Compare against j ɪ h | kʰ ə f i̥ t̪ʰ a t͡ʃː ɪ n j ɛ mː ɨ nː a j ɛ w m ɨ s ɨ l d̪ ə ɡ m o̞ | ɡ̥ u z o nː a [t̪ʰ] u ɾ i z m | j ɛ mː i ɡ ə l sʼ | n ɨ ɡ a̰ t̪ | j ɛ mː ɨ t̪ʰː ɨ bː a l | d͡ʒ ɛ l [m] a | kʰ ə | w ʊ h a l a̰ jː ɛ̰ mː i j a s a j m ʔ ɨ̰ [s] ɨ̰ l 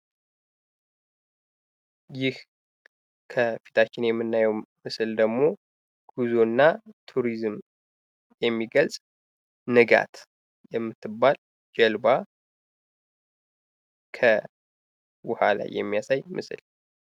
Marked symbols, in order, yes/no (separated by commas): yes, no, yes